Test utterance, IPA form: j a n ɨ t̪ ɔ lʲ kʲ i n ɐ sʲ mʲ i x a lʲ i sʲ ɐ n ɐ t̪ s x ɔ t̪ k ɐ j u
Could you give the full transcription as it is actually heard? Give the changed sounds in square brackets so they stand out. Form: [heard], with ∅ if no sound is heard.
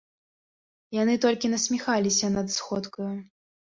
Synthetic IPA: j a n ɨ t̪ ɔ lʲ kʲ i n ɐ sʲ mʲ i x a lʲ i sʲ ɐ n ɐ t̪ s x ɔ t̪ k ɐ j u

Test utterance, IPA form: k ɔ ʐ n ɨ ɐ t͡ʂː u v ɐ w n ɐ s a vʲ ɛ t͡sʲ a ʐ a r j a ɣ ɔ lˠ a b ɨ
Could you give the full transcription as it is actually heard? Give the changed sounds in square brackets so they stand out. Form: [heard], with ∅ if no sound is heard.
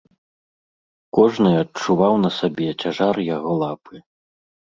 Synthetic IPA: k ɔ ʐ n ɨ ɐ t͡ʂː u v [a] w n ɐ s a [bʲ] ɛ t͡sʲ a ʐ a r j a ɣ ɔ lˠ a [p] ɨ

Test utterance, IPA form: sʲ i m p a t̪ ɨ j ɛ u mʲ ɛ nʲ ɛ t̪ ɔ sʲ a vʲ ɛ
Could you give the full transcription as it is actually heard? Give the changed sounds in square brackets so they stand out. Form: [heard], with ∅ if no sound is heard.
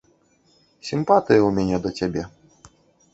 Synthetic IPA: sʲ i m p a t̪ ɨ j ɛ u mʲ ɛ nʲ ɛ [d̪] ɔ [tʲ] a [bʲ] ɛ

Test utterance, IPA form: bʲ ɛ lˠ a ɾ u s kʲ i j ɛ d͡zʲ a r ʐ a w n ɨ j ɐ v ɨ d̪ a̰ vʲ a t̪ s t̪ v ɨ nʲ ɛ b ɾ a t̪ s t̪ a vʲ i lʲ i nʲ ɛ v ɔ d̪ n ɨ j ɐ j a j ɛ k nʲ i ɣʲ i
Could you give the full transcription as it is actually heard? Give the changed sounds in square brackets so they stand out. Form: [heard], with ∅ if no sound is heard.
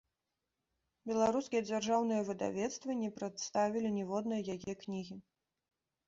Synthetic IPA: bʲ ɛ lˠ a ɾ u s kʲ i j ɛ d͡zʲ a r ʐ a w n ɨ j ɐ v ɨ d̪ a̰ vʲ [ɛ] t̪ s t̪ v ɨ nʲ ɛ [p] ɾ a t̪ s t̪ a vʲ i lʲ i nʲ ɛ v ɔ d̪ n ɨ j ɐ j a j ɛ k nʲ i ɣʲ i

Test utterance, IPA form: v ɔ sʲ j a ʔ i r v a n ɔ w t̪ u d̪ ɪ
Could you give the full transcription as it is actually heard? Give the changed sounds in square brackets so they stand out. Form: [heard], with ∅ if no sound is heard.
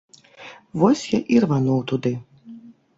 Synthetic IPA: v ɔ sʲ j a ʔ i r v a n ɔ w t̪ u d̪ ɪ

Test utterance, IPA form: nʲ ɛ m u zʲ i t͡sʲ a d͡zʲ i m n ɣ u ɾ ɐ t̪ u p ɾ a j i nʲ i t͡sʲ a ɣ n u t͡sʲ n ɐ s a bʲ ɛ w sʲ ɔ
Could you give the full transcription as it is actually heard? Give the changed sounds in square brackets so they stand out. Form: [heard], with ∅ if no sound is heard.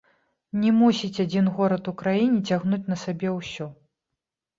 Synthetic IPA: nʲ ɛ m u [sʲ] i t͡sʲ a d͡zʲ i [∅] n ɣ [ɔ] ɾ ɐ t̪ u [k] ɾ a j i nʲ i t͡sʲ a ɣ n u t͡sʲ n ɐ s a bʲ ɛ w sʲ ɔ

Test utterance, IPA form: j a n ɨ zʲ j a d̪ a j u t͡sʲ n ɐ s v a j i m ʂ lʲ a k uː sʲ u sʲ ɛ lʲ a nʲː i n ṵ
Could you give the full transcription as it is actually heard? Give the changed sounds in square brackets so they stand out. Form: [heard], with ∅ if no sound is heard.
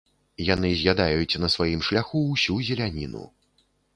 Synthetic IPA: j a n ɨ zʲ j a d̪ a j u t͡sʲ n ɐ s v a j i m ʂ lʲ a [x] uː sʲ u [zʲ] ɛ lʲ a [nʲ] i n ṵ

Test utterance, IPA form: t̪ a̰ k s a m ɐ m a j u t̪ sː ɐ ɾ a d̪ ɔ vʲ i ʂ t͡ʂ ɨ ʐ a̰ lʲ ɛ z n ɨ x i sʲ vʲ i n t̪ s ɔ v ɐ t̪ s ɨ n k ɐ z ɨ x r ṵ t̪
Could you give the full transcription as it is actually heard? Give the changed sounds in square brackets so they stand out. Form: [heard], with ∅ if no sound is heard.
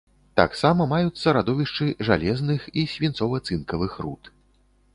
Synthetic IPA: t̪ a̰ k s a m ɐ m a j u t̪ sː ɐ ɾ a d̪ ɔ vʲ i ʂ t͡ʂ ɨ ʐ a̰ lʲ ɛ z n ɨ x i sʲ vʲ i n t̪ s ɔ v ɐ t̪ s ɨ n k ɐ [v] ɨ x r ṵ t̪

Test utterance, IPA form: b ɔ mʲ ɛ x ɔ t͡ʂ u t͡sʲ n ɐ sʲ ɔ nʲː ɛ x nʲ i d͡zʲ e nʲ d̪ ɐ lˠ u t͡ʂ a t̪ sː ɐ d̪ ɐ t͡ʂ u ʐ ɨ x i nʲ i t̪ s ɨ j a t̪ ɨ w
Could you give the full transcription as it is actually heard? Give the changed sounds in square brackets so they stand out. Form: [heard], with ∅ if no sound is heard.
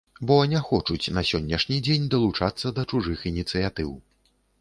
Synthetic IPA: b ɔ [nʲ] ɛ x ɔ t͡ʂ u t͡sʲ n ɐ sʲ ɔ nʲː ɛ [ʂ] nʲ i d͡zʲ e nʲ d̪ ɐ lˠ u t͡ʂ a t̪ sː ɐ d̪ ɐ t͡ʂ u ʐ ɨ x i nʲ i t̪ s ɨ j a t̪ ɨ w

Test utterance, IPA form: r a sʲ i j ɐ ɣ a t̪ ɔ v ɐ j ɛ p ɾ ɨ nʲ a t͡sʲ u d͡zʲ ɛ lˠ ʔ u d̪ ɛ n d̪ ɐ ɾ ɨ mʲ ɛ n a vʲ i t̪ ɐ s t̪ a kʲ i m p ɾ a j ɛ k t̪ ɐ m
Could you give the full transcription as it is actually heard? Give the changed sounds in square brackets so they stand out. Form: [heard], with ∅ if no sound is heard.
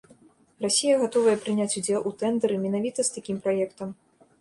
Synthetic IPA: r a sʲ i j ɐ ɣ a t̪ ɔ v ɐ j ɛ p ɾ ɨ nʲ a t͡sʲ u d͡zʲ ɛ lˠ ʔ u [t̪] ɛ n d̪ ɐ ɾ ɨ mʲ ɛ n a vʲ i t̪ ɐ s t̪ a kʲ i m p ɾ a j ɛ k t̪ ɐ m

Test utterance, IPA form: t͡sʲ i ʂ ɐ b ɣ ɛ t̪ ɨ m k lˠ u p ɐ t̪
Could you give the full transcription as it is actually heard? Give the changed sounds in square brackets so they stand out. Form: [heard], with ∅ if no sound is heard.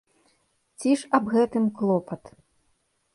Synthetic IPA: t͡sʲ i ʂ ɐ b ɣ ɛ t̪ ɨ m k lˠ [ɔ] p ɐ t̪

